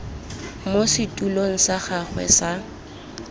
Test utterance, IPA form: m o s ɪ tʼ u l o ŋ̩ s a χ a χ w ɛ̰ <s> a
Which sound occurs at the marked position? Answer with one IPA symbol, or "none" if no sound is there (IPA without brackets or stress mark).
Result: s